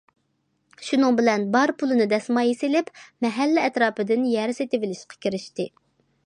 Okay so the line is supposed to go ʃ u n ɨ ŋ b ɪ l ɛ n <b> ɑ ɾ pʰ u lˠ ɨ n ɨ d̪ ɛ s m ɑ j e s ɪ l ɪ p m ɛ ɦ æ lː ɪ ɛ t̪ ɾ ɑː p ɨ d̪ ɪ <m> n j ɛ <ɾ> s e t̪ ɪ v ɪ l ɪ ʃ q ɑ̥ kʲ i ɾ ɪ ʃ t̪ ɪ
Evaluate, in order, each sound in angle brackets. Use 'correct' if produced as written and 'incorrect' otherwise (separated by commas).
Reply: correct, incorrect, correct